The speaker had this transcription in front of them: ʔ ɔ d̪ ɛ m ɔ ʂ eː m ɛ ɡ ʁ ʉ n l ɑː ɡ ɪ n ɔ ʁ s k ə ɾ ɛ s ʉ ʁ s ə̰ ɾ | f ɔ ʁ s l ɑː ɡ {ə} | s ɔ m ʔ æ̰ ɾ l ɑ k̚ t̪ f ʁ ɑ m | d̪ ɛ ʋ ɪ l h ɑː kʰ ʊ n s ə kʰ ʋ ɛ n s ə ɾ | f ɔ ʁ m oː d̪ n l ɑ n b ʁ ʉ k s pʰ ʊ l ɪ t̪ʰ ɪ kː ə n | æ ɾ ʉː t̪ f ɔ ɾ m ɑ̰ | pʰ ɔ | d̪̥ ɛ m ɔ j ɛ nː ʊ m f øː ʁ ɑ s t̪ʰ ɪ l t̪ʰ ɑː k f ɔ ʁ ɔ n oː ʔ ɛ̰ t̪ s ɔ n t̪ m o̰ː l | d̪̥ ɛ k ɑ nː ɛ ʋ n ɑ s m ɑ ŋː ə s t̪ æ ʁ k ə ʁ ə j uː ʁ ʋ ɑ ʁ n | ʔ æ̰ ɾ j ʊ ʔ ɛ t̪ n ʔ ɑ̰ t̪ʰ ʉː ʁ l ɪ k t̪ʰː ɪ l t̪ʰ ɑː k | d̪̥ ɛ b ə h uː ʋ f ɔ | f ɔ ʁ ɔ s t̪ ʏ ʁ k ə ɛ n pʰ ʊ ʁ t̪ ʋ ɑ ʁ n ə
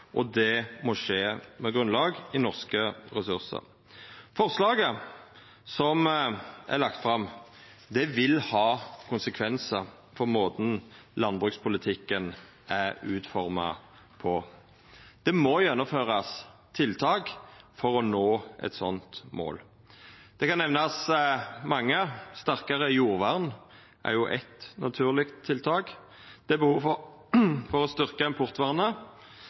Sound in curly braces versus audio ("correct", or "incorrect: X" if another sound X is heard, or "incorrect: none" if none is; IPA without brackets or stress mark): correct